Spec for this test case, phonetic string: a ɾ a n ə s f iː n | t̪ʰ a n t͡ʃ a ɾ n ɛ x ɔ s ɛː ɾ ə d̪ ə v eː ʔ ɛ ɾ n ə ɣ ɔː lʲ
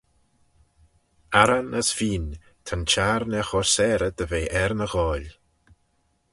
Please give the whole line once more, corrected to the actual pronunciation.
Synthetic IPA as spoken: a ɾ a n ə s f iː n | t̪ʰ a n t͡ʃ a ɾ n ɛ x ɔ s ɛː ɾ ə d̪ ə v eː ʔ ɛ ɾ n ə ɣ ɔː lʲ